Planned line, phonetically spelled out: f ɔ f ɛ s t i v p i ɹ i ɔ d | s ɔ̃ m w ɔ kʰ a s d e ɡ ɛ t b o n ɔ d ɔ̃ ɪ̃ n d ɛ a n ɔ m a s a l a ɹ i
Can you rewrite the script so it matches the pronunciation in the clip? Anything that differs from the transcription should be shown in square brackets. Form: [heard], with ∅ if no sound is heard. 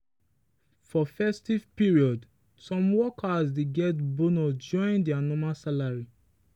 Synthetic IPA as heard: f ɔ f ɛ s t i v p i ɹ i ɔ d | s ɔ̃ m w ɔ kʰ a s d e ɡ ɛ t b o n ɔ [d͡ʒ] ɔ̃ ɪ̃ n d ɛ a n ɔ m a s a l a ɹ i